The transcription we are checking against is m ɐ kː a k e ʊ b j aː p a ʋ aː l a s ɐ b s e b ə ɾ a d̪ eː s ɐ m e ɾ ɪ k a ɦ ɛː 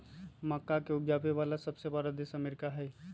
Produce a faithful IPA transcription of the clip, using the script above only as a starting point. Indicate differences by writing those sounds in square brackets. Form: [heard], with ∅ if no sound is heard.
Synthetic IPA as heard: m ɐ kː a k e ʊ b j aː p [e] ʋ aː l a s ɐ b s e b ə ɾ a d̪ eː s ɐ m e ɾ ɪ k a ɦ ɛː